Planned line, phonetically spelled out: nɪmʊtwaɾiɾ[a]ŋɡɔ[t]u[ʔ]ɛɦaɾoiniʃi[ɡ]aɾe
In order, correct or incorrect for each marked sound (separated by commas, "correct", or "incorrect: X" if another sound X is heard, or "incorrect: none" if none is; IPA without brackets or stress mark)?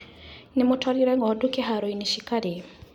incorrect: ɛ, incorrect: d, incorrect: k, incorrect: k